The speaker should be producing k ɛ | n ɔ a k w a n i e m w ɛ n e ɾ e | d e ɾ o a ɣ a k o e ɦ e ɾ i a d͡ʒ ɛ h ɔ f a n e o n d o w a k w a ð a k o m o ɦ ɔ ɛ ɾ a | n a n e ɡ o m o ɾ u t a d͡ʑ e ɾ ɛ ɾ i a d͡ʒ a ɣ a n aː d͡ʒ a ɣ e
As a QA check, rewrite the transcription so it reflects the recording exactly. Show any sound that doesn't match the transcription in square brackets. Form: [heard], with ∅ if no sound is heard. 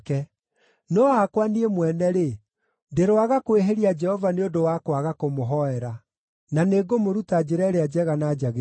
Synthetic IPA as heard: k ɛ | n ɔ a k w a n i e m w ɛ n [ɛ] ɾ e | d e ɾ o a ɣ a k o e ɦ e ɾ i a d͡ʒ ɛ h ɔ [v] a n e o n d o w a k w a [ɣ] a k o m o ɦ ɔ ɛ ɾ a | n a n e ɡ o m o ɾ u t a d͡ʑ e ɾ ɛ ɾ [e] a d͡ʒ [ɛ] ɣ a n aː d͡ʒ a ɣ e